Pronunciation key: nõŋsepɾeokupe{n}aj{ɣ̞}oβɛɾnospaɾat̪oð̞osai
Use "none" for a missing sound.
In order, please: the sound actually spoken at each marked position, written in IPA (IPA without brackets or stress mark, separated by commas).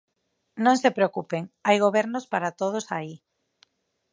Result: ŋ, ɣ̞